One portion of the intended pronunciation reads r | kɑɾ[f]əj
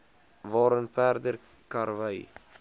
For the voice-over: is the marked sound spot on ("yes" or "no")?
no